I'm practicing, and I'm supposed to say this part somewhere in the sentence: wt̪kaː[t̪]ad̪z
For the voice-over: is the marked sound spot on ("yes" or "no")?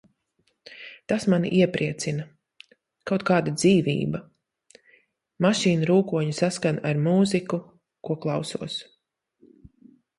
no